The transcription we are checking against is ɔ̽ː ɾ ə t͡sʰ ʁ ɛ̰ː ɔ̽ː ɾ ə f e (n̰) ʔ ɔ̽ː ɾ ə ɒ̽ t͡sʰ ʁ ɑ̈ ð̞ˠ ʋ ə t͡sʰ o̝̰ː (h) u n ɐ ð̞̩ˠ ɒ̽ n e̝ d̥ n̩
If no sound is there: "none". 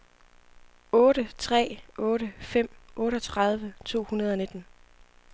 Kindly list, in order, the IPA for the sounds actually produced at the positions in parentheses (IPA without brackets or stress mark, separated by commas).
m̰, h